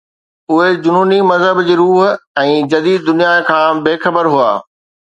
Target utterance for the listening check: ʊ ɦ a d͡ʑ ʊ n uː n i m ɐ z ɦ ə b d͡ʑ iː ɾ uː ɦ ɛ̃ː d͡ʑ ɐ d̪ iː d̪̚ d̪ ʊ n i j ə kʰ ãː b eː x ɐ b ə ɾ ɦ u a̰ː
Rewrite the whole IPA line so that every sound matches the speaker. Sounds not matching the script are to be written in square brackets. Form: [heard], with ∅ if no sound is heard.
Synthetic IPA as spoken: ʊ ɦ [e] d͡ʑ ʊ n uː n i m ɐ z ɦ ə b d͡ʑ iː ɾ uː ɦ ɛ̃ː d͡ʑ ɐ d̪ iː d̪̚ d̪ ʊ n i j [a] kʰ ãː b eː x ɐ b ə ɾ ɦ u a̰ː